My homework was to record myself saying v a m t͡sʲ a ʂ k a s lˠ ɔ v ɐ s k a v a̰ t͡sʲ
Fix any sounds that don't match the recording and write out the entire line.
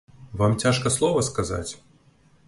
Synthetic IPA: v a m t͡sʲ a ʂ k ɐ s lˠ ɔ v ɐ s k a z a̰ t͡sʲ